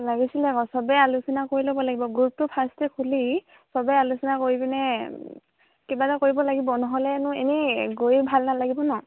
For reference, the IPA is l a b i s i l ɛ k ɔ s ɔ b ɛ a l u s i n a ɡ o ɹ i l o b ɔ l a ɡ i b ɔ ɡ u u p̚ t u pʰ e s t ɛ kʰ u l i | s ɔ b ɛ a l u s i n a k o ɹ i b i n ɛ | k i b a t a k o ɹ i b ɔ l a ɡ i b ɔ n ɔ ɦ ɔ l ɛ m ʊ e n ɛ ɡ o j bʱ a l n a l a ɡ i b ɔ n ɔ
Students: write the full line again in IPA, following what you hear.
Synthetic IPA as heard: l a ɡ i s i l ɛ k ɔ s ɔ b ɛ a l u s i n a k o ɹ i l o b ɔ l a ɡ i b ɔ ɡ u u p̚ t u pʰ a s t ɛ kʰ u l i | s ɔ b ɛ a l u s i n a k o ɹ i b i n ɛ | k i b a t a k o ɹ i b ɔ l a ɡ i b ɔ n ɔ ɦ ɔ l ɛ n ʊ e n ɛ ɡ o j bʱ a l n a l a ɡ i b ɔ n ɔ